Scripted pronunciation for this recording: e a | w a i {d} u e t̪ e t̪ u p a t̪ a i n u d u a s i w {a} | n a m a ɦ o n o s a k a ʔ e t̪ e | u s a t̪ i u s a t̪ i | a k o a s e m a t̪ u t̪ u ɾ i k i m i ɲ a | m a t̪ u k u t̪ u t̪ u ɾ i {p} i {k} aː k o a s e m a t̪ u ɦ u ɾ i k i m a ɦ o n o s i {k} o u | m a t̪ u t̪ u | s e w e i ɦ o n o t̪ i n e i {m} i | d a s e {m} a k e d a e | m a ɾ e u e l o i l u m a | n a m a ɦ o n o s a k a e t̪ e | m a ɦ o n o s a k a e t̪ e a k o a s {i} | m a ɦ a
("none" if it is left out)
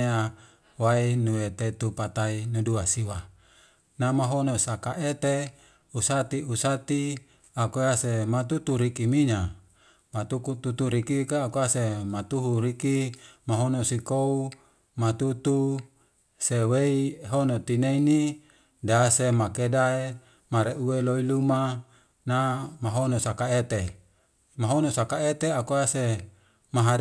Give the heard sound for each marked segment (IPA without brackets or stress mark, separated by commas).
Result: n, a, k, k, k, n, m, e